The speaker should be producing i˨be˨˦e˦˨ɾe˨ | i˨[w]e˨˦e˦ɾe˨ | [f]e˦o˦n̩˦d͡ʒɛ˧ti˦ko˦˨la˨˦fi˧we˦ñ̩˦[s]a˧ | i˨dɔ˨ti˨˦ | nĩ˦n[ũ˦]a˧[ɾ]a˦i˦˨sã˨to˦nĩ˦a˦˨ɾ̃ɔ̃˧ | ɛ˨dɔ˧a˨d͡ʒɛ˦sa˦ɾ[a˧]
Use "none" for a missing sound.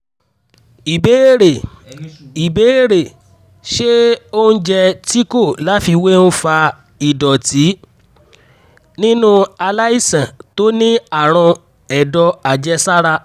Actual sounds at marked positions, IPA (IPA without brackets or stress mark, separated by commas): b, ʃ, f, ũ˦, l, a˧